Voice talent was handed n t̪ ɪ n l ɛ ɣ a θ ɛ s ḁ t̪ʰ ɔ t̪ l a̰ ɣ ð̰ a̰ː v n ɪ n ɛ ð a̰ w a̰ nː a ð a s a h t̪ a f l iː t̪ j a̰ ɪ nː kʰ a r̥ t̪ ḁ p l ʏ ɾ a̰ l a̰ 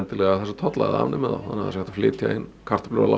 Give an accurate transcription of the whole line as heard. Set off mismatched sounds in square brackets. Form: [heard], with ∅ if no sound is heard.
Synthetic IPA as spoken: n t̪ ɪ [∅] l ɛ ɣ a θ ɛ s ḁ t̪ʰ ɔ t̪ l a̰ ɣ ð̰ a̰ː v n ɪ [m] ɛ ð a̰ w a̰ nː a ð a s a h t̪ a f l [ɪː] t̪ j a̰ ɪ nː kʰ a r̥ t̪ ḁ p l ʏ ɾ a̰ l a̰